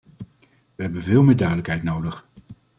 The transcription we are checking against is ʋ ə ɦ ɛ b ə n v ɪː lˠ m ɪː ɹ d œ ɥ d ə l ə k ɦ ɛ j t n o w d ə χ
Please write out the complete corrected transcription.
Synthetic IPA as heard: ʋ ə ɦ ɛ b ə n v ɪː lˠ m ɪː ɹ d œ ɥ d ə l ə k ɦ ɛ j t n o w d ə χ